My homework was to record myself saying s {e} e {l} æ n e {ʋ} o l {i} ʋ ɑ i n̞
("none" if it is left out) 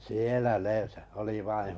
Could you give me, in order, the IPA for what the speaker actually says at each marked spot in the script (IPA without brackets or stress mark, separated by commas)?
i, l, none, i